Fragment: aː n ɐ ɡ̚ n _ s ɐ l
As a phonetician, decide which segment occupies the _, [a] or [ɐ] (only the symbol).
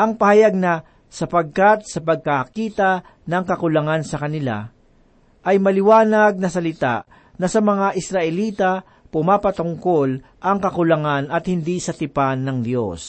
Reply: ɐ